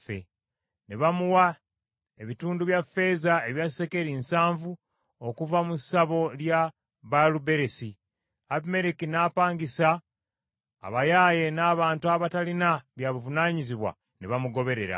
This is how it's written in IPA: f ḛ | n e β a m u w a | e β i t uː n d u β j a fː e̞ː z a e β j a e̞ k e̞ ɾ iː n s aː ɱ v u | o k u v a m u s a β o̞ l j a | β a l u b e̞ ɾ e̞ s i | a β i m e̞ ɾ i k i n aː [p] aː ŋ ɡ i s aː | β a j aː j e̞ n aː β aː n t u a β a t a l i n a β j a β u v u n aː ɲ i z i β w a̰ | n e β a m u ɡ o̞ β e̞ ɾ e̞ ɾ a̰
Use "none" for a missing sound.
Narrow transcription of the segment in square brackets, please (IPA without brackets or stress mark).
p